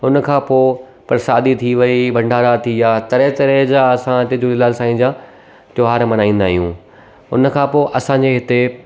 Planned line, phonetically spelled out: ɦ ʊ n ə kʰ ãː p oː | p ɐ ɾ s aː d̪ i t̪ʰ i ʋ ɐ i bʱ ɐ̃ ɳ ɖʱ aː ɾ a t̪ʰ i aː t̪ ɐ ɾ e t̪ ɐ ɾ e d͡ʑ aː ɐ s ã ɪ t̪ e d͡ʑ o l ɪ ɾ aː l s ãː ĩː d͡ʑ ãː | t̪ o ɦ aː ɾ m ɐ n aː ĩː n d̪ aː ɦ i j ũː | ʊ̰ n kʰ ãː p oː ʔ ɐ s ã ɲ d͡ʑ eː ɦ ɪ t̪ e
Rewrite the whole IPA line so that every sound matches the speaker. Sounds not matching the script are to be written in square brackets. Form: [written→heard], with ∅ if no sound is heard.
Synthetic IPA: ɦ ʊ n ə kʰ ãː p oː | p ɐ ɾ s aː d̪ i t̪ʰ i ʋ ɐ i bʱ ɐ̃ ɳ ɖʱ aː ɾ a t̪ʰ i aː t̪ ɐ ɾ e t̪ ɐ ɾ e d͡ʑ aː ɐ s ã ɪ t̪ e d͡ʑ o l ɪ [ɾ→l] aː l s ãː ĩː d͡ʑ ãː | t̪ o ɦ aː ɾ m ɐ n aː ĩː n d̪ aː ɦ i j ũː | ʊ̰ n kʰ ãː p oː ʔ ɐ s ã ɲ d͡ʑ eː ɦ ɪ t̪ e